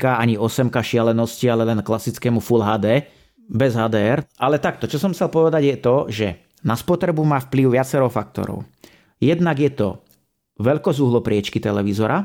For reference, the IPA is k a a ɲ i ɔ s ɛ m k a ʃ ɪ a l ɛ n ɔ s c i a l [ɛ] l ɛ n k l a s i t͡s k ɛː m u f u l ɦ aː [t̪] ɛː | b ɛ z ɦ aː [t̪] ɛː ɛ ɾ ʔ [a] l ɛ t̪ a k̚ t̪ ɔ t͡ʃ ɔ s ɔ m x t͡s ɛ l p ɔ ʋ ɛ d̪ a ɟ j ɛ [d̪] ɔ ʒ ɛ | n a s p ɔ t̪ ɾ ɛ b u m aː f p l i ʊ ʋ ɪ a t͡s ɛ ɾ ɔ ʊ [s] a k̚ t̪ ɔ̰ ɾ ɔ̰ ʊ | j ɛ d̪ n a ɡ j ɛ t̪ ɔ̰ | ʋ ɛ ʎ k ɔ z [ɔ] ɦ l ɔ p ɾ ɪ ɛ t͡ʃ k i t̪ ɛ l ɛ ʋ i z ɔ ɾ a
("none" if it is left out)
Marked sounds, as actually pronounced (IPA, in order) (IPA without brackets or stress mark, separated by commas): ɛ, d̪, d̪, a, t̪, f, u